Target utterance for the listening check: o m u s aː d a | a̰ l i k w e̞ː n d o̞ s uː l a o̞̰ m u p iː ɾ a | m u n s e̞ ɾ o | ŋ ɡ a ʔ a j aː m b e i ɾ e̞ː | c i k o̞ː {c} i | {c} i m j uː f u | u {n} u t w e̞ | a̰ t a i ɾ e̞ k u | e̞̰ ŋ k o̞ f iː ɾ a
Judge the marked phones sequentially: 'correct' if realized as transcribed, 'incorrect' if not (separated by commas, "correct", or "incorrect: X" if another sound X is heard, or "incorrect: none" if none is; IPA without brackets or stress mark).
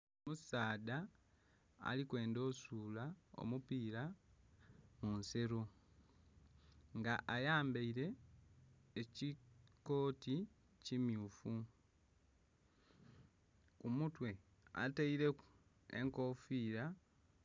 incorrect: t, correct, incorrect: m